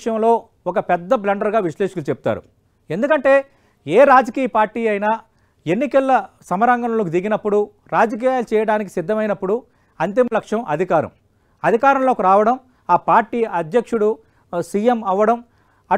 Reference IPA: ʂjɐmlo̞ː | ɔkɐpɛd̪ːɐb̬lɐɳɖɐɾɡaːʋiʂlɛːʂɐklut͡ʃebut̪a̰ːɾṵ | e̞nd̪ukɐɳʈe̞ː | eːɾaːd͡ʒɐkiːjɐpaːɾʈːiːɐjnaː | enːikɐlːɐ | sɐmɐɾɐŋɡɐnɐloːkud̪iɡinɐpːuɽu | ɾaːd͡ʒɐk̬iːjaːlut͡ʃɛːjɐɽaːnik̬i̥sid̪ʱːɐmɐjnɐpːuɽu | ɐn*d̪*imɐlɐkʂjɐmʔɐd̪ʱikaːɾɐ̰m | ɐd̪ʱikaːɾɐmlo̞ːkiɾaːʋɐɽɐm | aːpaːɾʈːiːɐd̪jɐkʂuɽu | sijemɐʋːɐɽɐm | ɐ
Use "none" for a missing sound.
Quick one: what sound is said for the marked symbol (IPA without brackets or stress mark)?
t̪